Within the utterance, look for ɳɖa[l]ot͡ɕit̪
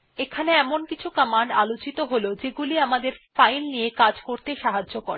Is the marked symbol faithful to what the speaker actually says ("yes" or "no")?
yes